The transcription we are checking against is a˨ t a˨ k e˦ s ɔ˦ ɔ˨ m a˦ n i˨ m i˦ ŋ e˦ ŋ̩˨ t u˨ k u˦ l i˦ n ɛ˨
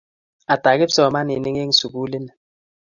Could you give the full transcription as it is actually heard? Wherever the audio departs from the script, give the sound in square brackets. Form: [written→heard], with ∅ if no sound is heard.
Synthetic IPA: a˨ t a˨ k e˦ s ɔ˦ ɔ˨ m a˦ n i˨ [m→n] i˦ ŋ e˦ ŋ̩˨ [t→s] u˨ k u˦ l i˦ n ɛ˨